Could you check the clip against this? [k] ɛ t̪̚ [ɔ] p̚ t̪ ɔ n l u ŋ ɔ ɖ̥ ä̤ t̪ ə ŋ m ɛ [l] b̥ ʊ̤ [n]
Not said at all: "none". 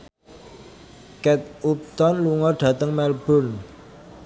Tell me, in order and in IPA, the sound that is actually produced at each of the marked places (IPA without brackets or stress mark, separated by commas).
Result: k, u, l, n